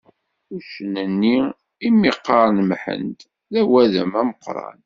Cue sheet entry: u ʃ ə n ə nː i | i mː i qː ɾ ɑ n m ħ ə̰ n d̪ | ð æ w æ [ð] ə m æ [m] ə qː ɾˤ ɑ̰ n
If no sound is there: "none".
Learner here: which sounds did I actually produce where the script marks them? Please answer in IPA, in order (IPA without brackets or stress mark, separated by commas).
ð, m